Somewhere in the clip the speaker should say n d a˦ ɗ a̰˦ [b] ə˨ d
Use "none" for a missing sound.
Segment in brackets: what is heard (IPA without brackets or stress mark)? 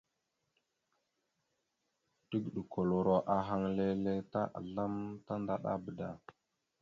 b